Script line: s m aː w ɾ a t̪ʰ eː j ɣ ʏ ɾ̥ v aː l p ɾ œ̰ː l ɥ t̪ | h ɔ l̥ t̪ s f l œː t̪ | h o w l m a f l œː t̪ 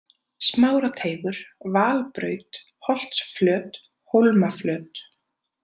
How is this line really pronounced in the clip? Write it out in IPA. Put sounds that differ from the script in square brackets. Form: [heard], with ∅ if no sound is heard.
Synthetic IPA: s m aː w ɾ a t̪ʰ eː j ɣ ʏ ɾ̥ v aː l p ɾ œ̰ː [∅] ɥ t̪ | h ɔ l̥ t̪ s f l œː t̪ | h o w l m a f l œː t̪